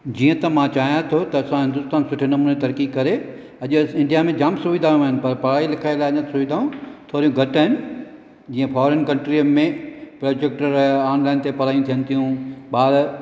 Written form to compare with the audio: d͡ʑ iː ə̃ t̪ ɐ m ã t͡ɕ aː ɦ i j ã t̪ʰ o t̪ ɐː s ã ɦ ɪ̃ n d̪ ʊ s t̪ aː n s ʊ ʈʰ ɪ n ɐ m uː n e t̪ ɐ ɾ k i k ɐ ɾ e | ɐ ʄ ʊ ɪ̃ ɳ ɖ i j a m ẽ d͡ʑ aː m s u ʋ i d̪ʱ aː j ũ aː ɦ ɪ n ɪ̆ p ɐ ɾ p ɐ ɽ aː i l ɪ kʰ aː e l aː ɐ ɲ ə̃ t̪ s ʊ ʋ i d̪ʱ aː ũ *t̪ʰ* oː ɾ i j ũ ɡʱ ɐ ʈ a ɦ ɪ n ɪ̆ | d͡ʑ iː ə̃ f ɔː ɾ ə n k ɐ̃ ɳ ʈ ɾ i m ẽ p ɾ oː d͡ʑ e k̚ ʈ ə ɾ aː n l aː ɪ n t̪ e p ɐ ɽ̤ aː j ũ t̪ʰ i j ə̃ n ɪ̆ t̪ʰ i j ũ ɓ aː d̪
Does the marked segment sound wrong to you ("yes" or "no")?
no